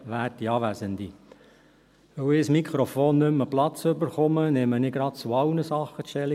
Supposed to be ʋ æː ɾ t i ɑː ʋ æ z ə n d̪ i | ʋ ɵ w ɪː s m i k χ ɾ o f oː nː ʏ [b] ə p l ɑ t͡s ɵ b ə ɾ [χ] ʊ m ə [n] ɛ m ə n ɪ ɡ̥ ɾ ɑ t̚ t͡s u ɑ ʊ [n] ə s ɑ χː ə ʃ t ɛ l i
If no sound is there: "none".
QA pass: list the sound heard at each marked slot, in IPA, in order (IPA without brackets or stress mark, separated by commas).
m, χ, n, n